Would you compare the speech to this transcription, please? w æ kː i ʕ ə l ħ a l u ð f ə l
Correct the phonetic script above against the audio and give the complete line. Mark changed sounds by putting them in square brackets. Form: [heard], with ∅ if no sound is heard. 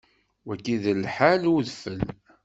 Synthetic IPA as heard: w æ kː i [ð] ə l ħ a l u ð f ə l